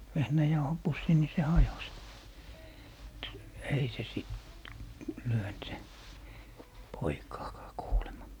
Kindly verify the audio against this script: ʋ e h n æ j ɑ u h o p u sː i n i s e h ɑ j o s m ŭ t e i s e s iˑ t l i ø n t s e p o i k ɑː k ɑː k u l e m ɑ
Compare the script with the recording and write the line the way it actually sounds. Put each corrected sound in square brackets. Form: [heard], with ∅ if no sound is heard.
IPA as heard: ʋ e h n æ j ɑ u h o p u sː i n i s e h ɑ j o s m ŭ t e i s e s iˑ t l [y] ø n t s e p o i k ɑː k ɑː k [uː] l e m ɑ